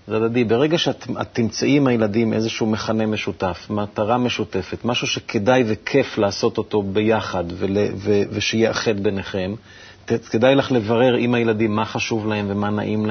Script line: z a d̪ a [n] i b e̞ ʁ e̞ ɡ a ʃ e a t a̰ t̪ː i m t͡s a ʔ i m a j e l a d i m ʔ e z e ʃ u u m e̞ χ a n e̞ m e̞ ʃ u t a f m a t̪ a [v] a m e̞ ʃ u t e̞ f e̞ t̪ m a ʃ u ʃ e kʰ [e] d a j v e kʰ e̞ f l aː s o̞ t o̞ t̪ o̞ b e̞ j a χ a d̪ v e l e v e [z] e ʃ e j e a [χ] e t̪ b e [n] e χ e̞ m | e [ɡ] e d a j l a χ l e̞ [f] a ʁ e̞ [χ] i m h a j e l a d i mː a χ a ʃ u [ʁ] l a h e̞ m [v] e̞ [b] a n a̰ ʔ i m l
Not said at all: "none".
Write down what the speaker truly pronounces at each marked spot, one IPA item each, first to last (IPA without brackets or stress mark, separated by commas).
d, ʁ, e, v, χ, n, k, v, ʁ, v, v, m